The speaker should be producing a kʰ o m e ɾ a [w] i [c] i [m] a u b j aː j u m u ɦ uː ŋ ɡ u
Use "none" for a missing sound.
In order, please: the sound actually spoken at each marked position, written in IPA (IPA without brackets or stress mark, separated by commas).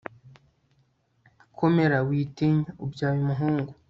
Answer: w, t, ɲ